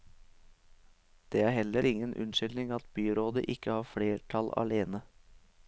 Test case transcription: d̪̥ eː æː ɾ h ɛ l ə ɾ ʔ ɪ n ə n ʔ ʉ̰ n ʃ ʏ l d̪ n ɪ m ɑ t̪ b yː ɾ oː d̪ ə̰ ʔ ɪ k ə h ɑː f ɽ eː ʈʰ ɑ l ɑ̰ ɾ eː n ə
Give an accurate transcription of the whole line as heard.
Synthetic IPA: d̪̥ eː æː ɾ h ɛ l ə ɾ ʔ ɪ ŋ ə n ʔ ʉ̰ n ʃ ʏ l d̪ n ɪ ŋ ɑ t̪ b yː ɾ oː d̪ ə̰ ʔ ɪ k ə h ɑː f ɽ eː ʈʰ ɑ l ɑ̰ l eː n ə